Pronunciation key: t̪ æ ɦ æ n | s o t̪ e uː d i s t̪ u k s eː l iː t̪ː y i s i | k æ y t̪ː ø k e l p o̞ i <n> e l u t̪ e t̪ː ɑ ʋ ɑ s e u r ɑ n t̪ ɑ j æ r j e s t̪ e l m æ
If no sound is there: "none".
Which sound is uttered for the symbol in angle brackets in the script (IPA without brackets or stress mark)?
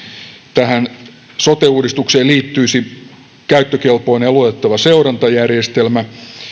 n